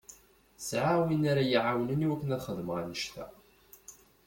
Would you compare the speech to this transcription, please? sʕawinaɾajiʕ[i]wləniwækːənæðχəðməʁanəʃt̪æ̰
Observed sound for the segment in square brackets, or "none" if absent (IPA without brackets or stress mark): a